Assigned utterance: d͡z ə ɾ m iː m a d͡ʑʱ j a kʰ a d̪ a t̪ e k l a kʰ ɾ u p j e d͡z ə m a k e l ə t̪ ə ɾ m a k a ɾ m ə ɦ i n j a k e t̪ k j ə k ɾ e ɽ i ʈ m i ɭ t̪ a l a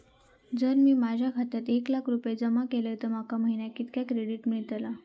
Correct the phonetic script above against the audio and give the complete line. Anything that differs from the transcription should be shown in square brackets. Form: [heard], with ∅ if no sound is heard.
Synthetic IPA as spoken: d͡z ə ɾ m iː m a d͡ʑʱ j a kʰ a [t̪] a t̪ e k l a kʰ ɾ u p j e d͡z ə m a k e l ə t̪ ə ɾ m a k a [∅] m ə ɦ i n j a k [i] t̪ k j [a] k ɾ e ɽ i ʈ m i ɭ t̪ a l a

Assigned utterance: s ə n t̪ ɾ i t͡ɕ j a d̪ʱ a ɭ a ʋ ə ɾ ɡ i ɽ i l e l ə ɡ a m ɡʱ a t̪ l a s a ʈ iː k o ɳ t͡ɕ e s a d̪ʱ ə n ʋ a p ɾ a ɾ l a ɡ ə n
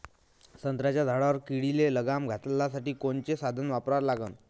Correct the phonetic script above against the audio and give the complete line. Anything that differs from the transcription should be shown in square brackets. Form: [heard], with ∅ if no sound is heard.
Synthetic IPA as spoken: s ə n t̪ ɾ [a] t͡ɕ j a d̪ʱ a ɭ a ʋ ə ɾ [k] i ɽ i l e l ə ɡ a m ɡʱ a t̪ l a s a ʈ iː k o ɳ t͡ɕ e s a d̪ʱ ə n ʋ a p ɾ a ɾ l a ɡ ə n

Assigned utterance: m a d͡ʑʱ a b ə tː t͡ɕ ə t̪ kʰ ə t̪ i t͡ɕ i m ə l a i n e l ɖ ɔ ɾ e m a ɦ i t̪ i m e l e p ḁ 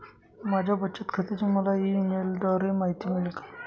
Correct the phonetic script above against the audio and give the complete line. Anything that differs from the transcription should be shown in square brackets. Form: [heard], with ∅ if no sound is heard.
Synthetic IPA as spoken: m a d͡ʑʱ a b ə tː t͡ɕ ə t̪ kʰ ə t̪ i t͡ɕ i m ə l a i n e l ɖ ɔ ɾ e m a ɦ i t̪ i m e l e [k] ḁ

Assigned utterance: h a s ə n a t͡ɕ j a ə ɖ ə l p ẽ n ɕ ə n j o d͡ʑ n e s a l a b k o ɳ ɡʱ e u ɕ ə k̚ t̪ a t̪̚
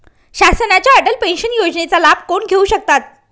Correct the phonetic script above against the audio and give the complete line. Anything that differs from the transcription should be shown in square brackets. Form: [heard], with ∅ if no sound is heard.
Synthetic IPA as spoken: [ɕ] a s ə n a t͡ɕ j a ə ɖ ə l p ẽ n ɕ ə n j o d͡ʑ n e [t͡s] a l a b k o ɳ ɡʱ e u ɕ ə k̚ t̪ a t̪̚

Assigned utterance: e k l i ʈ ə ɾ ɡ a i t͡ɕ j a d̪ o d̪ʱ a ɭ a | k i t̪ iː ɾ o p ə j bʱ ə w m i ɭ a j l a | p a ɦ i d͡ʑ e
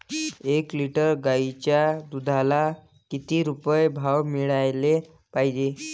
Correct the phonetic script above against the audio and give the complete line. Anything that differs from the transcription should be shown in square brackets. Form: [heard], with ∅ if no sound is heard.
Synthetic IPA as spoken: e k l i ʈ ə ɾ ɡ a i t͡ɕ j a d̪ [u] d̪ʱ a [l] a | k i t̪ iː ɾ [u] p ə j bʱ [a] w m i ɭ a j l [e] | p a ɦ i d͡ʑ e

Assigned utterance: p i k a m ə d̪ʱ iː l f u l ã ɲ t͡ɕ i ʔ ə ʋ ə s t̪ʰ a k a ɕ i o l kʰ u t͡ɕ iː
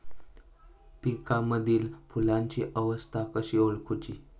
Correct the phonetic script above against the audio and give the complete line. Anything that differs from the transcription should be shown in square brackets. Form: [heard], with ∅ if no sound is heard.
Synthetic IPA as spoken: p i k a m ə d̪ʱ iː l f u l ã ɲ t͡ɕ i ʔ ə ʋ ə s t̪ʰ a k [ə] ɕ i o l kʰ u t͡ɕ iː

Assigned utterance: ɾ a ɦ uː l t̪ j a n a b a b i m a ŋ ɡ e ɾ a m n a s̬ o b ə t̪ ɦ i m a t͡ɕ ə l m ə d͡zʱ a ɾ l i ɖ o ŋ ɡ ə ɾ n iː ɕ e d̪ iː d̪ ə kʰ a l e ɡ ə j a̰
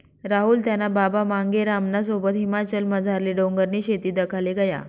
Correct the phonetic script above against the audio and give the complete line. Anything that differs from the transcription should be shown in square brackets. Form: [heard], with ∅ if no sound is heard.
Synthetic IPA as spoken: ɾ a ɦ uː l t̪ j a n a b a b [a] m a ŋ ɡ e ɾ a m n a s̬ o b ə t̪ ɦ i m a t͡ɕ ə l m ə d͡zʱ a ɾ l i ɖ o ŋ ɡ ə ɾ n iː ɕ e [t̪] iː d̪ ə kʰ a l e ɡ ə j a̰

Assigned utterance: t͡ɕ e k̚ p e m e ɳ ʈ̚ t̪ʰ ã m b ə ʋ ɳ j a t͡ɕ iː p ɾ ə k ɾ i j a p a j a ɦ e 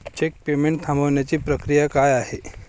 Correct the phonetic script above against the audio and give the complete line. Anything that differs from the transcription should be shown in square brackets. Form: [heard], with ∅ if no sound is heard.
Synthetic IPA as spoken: t͡ɕ e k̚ p e m e ɳ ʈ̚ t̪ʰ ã m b ə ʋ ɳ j a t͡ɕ iː p ɾ ə k ɾ i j a [k] a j a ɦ e

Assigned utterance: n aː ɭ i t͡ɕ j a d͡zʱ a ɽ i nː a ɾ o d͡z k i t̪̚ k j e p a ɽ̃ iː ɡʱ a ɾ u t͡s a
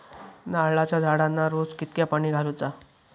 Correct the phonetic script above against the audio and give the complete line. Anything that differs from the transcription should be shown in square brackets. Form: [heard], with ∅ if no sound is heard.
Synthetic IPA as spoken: n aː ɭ [a] t͡ɕ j a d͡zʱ a ɽ [a] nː a ɾ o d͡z k i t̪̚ k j [a] p a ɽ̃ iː ɡʱ a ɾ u t͡s a

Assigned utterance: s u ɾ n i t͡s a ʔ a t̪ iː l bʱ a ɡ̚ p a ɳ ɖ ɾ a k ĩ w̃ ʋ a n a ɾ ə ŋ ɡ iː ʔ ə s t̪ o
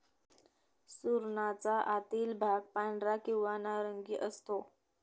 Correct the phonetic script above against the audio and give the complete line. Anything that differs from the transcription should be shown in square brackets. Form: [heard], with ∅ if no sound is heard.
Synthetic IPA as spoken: s u ɾ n [a] t͡s a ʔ a t̪ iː l bʱ a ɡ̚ p a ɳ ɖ ɾ a k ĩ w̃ ʋ a n a ɾ ə ŋ ɡ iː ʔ ə s t̪ o

